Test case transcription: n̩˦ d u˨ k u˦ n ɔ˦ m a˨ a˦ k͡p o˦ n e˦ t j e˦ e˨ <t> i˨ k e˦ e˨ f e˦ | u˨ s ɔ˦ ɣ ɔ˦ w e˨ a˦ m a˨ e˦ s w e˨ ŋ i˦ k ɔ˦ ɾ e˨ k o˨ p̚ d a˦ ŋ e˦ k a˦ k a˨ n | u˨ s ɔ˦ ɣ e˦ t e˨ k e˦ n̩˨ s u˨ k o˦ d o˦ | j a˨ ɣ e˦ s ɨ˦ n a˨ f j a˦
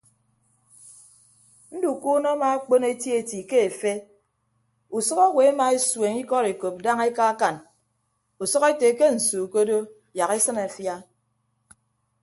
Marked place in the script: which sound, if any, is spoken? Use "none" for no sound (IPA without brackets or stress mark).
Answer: t